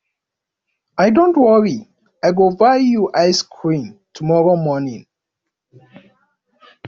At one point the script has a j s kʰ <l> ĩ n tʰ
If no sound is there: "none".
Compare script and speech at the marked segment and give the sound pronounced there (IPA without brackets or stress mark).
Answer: ɹ